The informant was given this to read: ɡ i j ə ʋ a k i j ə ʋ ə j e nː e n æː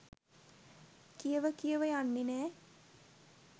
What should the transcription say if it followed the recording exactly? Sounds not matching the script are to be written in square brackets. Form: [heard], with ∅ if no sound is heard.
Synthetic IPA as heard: [k] i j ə ʋ [ə] k i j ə ʋ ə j [a] nː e n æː